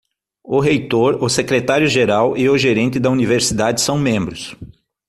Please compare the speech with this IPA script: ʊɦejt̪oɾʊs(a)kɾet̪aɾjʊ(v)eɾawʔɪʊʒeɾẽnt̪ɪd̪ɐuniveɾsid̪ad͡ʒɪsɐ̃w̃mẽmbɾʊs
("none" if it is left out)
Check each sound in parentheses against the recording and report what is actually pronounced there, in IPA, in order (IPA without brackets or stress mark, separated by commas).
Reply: e, ʒ